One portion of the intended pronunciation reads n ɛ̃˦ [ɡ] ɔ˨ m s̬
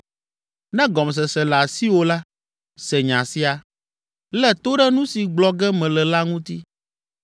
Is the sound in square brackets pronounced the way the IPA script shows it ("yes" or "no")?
yes